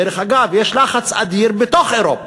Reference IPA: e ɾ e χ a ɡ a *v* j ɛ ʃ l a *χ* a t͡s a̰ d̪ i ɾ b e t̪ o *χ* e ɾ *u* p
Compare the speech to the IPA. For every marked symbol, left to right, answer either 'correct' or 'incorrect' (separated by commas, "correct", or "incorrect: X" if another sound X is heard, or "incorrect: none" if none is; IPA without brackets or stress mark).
correct, correct, correct, incorrect: o